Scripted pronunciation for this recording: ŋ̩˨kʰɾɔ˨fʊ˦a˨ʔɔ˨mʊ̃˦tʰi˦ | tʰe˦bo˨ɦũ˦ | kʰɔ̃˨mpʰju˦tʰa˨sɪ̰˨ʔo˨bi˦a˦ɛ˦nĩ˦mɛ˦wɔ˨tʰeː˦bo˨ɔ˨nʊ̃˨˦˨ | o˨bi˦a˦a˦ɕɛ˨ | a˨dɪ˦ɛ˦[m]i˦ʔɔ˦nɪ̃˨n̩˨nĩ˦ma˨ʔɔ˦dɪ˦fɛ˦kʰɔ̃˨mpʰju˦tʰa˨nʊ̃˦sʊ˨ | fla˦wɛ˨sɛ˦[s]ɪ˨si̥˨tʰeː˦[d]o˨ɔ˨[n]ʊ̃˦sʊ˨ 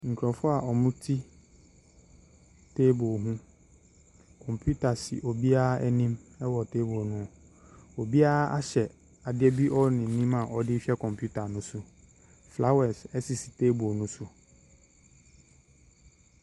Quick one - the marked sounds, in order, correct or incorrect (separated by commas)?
incorrect, correct, incorrect, correct